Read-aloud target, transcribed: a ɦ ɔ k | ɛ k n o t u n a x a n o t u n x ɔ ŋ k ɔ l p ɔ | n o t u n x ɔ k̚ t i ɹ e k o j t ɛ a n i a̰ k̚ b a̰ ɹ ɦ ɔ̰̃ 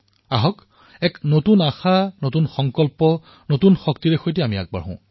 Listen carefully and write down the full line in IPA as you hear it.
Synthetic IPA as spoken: a ɦ ɔ k | ɛ k n o t u n a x a n o t u n x ɔ ŋ k ɔ l p ɔ | n o t u n x ɔ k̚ t i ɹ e x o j t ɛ a m i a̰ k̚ b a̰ ɹ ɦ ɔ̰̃